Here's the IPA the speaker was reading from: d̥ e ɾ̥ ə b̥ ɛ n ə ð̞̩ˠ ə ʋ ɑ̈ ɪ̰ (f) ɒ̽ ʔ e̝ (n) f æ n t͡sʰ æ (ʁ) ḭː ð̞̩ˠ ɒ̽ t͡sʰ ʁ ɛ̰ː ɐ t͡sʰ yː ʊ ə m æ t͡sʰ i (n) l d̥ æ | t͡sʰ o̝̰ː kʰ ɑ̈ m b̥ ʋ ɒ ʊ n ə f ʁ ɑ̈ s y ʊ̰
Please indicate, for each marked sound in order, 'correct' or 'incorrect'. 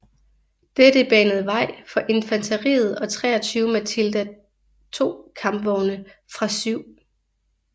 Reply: correct, correct, correct, incorrect

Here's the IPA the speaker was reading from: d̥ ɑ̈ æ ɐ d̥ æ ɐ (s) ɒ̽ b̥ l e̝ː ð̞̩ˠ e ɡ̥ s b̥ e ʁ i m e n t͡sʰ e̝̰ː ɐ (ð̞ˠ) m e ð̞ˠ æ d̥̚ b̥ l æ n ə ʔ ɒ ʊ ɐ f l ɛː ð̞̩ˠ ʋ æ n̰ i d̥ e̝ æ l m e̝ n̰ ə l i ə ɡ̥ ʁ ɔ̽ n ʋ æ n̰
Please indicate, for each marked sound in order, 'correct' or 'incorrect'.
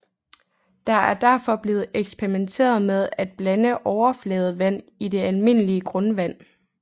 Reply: incorrect, correct

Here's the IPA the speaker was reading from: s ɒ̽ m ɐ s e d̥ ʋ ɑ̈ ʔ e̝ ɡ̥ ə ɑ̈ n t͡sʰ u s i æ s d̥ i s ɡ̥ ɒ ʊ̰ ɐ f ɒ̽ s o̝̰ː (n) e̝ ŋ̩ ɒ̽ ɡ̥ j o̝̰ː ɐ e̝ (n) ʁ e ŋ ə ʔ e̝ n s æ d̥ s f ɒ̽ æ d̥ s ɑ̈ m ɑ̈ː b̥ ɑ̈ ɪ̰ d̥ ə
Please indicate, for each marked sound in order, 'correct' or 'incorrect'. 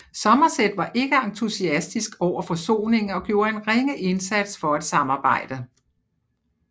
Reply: correct, correct

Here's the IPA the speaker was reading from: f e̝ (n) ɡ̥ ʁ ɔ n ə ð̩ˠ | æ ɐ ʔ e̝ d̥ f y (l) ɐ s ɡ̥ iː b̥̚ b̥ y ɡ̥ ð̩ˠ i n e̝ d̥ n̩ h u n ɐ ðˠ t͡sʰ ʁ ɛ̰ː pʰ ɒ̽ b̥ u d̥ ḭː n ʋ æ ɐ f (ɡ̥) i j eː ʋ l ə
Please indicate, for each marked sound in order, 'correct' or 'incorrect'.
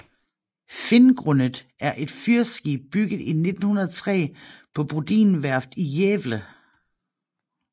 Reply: correct, incorrect, incorrect

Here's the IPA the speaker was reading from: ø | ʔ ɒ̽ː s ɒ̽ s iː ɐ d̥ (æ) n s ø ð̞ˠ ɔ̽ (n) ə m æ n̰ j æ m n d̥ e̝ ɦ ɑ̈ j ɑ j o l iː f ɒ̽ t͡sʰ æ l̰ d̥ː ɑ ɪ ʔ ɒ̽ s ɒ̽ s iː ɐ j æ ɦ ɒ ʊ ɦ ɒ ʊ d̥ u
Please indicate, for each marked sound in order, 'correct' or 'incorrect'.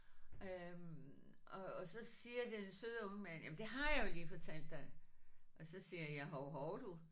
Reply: incorrect, incorrect

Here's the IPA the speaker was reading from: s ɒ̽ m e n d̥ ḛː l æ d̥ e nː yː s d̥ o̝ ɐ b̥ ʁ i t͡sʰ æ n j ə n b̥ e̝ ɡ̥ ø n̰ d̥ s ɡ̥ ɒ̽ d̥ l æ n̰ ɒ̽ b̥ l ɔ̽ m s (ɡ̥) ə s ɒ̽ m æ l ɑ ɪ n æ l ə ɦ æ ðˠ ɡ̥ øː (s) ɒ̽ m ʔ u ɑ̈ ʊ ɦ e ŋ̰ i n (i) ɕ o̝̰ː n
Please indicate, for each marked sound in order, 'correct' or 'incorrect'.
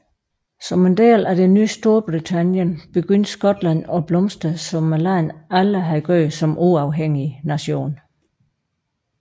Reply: incorrect, correct, incorrect

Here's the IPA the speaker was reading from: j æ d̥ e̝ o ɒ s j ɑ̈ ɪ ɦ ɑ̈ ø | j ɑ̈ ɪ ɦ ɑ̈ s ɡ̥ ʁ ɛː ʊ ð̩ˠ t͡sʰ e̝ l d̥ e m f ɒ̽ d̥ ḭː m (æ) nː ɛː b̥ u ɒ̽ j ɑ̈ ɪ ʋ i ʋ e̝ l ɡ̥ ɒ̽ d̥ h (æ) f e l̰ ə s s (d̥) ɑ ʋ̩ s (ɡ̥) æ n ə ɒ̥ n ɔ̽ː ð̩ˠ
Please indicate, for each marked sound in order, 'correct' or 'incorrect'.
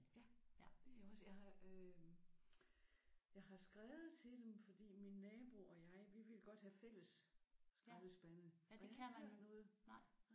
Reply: incorrect, correct, incorrect, incorrect

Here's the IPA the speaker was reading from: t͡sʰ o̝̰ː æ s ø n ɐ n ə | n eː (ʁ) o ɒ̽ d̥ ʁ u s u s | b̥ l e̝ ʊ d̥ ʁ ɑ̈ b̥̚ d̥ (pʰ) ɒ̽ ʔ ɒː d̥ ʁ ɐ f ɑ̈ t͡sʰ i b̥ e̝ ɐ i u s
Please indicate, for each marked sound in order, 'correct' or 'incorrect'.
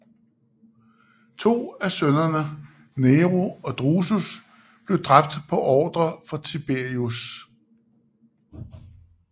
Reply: correct, correct

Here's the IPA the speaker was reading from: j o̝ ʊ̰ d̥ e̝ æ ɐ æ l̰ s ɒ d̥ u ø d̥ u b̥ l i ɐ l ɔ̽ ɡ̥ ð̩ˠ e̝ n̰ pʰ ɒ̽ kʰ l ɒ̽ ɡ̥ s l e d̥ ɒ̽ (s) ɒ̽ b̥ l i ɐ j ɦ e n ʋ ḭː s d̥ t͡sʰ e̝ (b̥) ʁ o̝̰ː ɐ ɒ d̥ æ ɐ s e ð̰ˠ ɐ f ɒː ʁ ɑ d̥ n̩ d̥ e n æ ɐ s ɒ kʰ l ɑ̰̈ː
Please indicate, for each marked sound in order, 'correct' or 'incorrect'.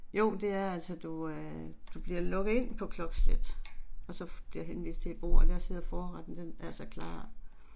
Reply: correct, correct

